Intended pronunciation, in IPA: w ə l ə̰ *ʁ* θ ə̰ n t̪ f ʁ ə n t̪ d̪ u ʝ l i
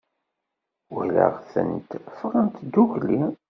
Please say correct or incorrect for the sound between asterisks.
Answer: correct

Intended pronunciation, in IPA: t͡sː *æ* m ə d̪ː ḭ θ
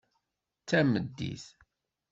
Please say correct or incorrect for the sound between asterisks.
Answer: correct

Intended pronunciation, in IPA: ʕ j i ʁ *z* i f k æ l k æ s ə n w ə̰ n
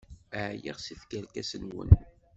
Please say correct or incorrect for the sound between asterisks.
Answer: incorrect: s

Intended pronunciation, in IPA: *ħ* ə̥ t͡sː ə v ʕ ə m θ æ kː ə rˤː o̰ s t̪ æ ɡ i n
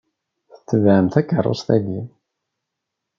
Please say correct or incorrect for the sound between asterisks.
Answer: incorrect: θ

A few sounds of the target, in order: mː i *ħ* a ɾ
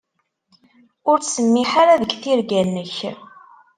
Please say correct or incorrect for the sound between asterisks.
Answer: correct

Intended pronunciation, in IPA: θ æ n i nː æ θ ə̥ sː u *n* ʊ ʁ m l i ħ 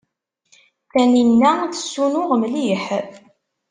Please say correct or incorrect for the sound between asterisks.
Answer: correct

